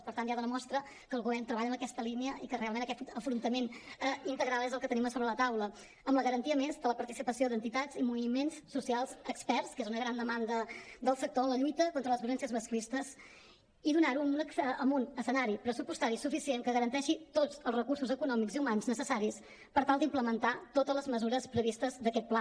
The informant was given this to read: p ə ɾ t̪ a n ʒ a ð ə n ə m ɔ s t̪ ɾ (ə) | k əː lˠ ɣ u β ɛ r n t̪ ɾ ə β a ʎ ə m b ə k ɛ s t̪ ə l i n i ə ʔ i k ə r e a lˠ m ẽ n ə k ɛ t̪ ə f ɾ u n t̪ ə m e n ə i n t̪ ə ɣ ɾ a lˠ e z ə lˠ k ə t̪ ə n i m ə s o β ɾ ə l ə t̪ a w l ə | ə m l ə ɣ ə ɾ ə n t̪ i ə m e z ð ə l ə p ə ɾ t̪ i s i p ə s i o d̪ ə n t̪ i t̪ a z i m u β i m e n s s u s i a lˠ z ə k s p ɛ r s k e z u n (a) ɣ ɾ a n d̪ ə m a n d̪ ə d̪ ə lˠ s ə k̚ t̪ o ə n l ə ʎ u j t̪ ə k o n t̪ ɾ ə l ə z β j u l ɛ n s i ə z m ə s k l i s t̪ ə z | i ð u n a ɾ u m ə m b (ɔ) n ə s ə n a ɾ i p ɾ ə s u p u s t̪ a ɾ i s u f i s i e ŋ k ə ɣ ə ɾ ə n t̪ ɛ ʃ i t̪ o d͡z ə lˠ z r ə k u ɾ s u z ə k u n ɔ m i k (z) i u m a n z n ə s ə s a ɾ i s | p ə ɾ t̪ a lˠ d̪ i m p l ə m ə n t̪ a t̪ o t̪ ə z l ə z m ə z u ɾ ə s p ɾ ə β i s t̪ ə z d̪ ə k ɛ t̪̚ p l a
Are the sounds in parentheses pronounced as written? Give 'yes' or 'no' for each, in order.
yes, no, no, yes

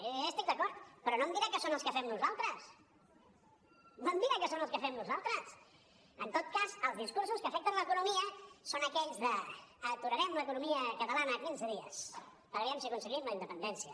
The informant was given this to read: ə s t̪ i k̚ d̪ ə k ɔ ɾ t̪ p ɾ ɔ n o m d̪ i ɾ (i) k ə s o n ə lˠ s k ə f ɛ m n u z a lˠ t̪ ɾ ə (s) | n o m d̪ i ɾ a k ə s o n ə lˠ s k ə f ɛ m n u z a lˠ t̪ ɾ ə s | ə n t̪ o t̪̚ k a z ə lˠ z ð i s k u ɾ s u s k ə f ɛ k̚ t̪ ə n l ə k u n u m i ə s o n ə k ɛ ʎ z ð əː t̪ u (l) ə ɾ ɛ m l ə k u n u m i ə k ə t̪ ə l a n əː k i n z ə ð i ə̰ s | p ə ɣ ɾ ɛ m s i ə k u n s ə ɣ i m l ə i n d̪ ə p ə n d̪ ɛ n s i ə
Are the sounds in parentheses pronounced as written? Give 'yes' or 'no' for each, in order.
no, yes, no

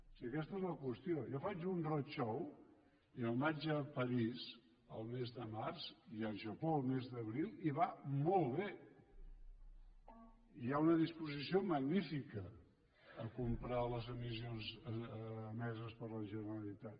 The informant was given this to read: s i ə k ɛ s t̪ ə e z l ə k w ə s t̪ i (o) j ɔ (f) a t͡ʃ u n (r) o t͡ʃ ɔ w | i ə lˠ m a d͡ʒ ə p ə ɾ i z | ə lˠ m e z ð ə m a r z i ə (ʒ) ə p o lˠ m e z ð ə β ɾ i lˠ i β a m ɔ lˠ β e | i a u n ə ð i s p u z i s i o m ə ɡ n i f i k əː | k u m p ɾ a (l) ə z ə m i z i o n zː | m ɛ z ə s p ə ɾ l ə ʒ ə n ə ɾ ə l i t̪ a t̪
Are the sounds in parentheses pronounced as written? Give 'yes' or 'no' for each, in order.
yes, yes, yes, yes, yes

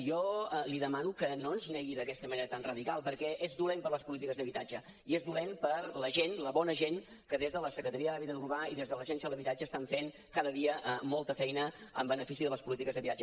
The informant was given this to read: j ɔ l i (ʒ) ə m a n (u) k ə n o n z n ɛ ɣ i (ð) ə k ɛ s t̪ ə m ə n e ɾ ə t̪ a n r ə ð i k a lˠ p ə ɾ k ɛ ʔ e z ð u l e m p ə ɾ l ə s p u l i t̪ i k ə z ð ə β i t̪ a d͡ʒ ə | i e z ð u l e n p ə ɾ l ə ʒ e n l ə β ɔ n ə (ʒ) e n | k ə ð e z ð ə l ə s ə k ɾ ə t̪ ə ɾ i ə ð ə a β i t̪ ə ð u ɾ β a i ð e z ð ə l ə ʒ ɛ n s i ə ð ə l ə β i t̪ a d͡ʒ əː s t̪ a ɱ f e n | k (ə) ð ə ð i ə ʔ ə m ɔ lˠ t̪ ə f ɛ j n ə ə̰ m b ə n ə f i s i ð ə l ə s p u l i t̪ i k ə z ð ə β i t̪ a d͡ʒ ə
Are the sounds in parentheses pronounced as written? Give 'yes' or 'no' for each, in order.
no, yes, yes, yes, no

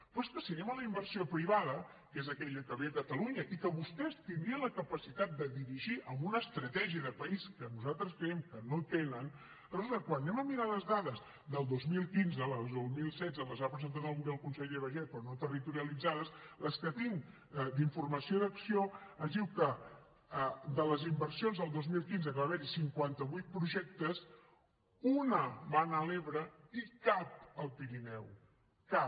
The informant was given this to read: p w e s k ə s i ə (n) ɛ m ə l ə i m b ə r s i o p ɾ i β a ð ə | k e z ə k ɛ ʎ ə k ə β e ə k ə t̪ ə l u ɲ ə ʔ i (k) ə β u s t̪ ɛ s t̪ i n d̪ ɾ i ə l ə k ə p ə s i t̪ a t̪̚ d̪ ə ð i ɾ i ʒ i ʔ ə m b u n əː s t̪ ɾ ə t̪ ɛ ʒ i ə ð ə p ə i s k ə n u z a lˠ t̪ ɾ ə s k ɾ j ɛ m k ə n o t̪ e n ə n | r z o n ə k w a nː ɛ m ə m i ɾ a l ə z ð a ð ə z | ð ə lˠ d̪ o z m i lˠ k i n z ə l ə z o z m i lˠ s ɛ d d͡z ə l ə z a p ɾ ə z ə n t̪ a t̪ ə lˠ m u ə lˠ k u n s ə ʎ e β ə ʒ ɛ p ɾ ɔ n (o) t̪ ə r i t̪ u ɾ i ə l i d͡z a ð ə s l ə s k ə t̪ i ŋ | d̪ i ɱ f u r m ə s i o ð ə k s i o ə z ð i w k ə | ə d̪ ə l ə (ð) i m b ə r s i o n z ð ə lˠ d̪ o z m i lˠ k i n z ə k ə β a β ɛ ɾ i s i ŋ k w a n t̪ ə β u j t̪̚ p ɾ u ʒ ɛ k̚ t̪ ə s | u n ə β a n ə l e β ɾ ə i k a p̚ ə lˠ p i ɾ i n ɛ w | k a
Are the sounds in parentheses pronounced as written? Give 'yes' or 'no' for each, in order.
yes, yes, yes, no

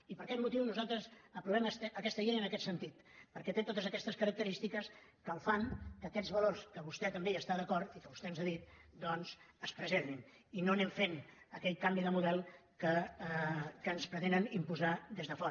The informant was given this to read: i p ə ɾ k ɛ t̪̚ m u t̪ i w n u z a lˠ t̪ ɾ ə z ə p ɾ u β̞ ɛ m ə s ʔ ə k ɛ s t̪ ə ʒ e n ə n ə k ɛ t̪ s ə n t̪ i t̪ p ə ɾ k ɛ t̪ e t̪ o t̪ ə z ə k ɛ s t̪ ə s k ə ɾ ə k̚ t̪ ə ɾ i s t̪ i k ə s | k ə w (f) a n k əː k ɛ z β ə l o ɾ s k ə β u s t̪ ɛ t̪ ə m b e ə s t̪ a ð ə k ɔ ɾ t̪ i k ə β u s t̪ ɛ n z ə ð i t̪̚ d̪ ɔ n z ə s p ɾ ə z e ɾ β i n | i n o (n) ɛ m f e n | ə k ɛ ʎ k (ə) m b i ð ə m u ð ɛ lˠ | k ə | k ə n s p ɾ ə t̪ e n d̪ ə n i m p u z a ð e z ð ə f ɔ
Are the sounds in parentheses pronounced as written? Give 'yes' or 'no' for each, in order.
yes, yes, no

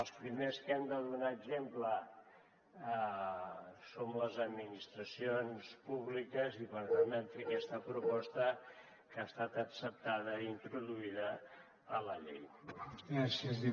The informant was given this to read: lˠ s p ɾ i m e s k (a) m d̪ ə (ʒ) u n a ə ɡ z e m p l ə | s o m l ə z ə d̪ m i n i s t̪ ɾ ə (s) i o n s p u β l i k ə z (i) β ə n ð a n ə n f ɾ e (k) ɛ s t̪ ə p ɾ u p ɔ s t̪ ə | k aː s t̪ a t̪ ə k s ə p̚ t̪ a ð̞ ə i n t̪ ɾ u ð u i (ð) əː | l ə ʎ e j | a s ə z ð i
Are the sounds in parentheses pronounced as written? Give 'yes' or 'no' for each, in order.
no, no, yes, yes, yes, yes

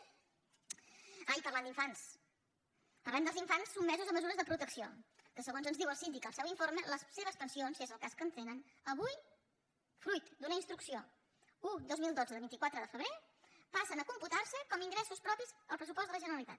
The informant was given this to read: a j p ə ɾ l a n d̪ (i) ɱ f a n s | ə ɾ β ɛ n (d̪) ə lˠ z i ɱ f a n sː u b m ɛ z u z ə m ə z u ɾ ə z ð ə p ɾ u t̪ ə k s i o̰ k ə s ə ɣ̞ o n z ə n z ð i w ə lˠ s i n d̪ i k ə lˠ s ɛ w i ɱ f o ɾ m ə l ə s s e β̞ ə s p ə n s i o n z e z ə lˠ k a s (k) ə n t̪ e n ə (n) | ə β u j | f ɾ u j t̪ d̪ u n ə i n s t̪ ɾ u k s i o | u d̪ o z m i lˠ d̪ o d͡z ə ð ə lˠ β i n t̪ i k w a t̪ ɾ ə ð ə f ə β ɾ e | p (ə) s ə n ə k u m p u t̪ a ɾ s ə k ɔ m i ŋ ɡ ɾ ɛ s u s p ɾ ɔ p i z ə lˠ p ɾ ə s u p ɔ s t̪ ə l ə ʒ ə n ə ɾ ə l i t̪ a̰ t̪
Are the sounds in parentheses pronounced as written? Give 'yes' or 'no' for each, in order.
yes, yes, yes, yes, no

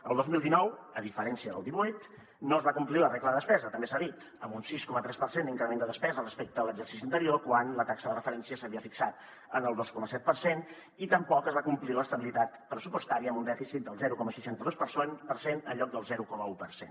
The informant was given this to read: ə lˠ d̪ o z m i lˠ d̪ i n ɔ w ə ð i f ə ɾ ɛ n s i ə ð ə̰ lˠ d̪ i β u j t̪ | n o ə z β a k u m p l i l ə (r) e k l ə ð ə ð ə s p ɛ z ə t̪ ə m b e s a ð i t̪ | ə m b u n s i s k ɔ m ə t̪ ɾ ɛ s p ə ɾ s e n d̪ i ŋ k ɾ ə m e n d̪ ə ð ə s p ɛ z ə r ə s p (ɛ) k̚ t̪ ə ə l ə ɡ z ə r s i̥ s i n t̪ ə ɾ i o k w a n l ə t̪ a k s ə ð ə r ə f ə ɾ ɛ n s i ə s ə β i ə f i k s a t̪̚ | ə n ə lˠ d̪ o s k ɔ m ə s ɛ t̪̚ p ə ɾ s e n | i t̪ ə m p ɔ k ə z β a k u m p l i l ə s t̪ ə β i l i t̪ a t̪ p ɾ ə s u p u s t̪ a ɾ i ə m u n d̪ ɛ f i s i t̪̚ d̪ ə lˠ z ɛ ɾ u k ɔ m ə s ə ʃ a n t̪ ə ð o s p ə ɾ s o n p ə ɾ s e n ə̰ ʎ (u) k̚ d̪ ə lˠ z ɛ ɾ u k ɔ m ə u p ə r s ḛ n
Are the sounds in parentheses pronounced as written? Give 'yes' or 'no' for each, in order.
yes, no, no

